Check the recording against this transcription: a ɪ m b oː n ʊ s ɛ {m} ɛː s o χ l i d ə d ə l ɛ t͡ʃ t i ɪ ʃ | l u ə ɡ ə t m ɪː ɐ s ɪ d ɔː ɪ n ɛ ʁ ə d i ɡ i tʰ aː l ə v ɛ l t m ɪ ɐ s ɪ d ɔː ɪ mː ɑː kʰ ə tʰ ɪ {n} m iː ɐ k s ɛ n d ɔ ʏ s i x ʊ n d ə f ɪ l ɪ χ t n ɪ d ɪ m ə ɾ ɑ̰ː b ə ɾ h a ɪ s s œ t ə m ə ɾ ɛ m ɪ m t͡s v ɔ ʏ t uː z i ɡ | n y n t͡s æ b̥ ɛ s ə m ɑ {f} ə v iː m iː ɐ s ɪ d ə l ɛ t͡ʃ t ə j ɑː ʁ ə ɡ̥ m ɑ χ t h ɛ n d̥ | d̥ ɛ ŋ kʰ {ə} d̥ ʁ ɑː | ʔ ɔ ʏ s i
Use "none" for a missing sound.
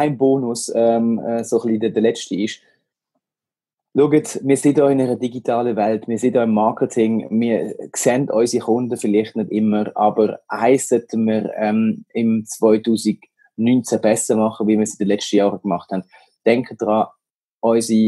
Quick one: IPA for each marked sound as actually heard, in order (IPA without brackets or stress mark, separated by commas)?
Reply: m, ŋ, χ, ə